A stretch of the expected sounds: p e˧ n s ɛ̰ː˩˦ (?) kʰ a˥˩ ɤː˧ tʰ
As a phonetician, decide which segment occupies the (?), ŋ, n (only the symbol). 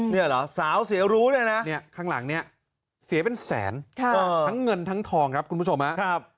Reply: n